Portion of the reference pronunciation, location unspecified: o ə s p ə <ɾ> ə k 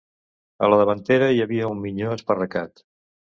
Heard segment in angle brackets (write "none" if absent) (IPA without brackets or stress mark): r